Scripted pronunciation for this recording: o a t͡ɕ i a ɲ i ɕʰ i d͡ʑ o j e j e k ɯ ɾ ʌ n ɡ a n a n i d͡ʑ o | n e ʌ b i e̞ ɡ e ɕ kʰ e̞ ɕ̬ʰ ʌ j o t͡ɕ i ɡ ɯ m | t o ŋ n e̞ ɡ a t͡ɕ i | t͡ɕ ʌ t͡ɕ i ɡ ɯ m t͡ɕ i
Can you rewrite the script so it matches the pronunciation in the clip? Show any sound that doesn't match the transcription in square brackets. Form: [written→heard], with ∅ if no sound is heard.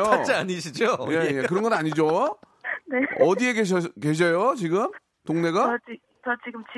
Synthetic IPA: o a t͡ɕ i a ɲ i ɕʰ i d͡ʑ o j e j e k ɯ ɾ ʌ n ɡ [a→ʌ] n a [n→ɲ] i d͡ʑ o | n e ʌ [b→d] i e̞ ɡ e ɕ [kʰ→k] e̞ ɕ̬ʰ ʌ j o t͡ɕ i ɡ ɯ m | t o ŋ n e̞ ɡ a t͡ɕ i | t͡ɕ ʌ t͡ɕ i ɡ ɯ m t͡ɕ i